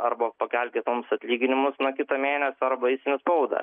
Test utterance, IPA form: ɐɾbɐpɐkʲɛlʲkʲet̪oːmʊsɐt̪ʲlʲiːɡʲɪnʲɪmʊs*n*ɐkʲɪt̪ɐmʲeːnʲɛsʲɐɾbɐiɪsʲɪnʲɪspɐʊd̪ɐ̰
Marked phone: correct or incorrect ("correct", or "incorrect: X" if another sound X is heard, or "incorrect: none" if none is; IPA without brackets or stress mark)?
correct